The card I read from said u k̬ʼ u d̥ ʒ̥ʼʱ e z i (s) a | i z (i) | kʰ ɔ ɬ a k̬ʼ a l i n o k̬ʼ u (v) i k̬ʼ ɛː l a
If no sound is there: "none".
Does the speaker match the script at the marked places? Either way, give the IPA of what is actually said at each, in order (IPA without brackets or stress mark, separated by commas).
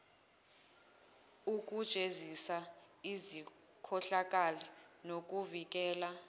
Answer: s, i, v